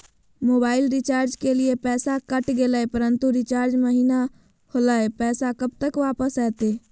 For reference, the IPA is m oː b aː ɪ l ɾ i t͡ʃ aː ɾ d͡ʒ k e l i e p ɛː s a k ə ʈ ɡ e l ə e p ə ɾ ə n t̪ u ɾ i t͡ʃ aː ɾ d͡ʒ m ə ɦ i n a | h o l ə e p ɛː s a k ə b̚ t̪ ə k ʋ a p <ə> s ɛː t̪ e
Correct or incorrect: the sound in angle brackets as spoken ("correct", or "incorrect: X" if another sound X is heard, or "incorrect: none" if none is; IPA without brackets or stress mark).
correct